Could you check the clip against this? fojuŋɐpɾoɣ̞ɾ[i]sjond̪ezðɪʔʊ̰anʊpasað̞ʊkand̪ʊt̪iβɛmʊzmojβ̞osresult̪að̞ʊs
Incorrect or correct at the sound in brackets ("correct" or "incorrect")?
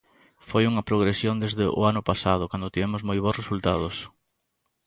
incorrect